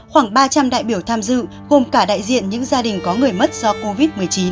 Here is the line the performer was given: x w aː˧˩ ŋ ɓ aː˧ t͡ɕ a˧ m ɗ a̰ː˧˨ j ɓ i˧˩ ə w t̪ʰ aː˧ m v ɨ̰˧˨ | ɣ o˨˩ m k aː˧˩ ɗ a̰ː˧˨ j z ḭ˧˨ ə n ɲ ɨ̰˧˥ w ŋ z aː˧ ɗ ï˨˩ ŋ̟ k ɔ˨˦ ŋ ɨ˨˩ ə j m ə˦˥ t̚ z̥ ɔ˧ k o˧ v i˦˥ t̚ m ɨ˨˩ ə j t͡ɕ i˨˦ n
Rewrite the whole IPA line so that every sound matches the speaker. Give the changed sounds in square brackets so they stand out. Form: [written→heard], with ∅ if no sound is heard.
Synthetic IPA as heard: x w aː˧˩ ŋ ɓ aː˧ t͡ɕ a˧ m ɗ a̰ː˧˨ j ɓ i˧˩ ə w t̪ʰ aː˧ m [v→z] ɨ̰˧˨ | ɣ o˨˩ m k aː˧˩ ɗ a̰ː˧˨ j z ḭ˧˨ ə n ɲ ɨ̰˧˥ [w→∅] ŋ z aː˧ ɗ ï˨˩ ŋ̟ k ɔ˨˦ ŋ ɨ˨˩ ə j m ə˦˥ t̚ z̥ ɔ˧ k o˧ v i˦˥ t̚ m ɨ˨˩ ə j t͡ɕ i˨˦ n

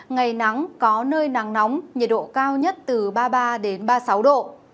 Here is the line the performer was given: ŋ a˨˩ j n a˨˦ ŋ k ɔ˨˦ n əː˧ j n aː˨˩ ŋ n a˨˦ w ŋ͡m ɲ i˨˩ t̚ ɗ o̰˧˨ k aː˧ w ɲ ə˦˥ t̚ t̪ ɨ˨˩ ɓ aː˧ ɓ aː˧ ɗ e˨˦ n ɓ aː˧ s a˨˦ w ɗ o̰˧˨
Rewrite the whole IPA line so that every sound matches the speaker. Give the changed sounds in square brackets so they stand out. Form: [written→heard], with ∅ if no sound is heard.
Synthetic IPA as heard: ŋ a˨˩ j n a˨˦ ŋ k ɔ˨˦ n əː˧ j n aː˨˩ ŋ n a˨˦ w ŋ͡m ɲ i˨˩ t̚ ɗ o̰˧˨ k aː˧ w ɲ ə˦˥ t̚ t̪ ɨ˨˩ ɓ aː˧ ɓ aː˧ ɗ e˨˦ n ɓ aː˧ s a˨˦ w ɗ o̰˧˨

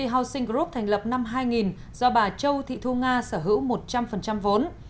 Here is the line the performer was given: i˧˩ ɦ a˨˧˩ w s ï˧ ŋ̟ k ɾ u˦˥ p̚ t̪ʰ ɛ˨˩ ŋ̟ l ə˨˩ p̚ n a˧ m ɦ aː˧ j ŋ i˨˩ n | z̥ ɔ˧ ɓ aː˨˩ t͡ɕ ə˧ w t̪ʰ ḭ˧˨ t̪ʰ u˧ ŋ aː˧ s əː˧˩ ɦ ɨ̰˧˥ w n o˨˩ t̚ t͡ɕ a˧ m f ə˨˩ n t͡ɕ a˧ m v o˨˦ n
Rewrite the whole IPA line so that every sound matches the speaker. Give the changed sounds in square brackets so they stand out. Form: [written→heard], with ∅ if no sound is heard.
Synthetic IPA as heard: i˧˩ ɦ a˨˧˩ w s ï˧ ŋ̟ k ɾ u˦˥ p̚ t̪ʰ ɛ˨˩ ŋ̟ l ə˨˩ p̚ n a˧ m ɦ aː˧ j ŋ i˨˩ n | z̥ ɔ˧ ɓ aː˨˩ t͡ɕ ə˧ w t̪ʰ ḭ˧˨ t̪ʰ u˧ ŋ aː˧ s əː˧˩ ɦ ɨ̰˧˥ w [n→m] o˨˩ t̚ t͡ɕ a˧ m f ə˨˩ n t͡ɕ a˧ m v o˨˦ n

